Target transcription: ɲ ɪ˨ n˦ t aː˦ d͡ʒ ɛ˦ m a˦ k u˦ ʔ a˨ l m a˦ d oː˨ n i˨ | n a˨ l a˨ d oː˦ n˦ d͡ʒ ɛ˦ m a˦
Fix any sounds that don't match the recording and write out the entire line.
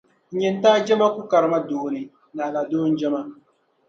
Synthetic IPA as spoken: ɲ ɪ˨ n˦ t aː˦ d͡ʒ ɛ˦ m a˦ k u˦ k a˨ ɾ m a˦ d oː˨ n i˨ | n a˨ l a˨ d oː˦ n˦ d͡ʒ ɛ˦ m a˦